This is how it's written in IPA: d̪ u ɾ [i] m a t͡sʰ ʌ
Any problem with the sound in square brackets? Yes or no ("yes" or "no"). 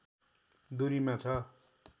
no